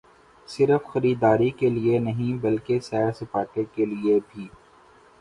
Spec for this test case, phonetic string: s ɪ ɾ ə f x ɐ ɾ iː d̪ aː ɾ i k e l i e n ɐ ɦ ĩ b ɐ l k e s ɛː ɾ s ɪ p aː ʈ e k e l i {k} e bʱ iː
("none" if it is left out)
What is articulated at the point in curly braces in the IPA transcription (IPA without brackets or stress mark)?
none